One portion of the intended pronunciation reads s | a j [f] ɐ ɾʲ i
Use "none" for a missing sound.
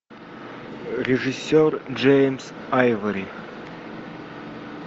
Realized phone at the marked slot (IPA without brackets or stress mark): v